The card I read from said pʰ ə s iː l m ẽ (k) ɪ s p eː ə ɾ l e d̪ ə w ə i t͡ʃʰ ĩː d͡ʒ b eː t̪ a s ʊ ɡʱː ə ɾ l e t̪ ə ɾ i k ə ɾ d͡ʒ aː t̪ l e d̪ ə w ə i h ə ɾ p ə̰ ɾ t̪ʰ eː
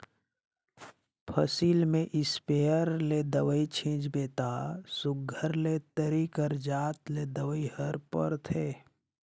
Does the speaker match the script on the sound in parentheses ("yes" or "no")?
no